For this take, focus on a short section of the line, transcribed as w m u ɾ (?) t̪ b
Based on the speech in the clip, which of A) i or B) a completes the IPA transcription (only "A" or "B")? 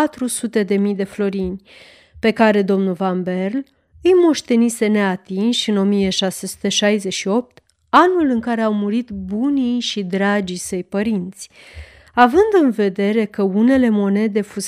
A